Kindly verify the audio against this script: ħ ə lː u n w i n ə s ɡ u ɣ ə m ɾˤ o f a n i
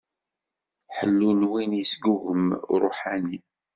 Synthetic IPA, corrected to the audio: ħ ə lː u n w i n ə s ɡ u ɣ ə m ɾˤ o ħ a n i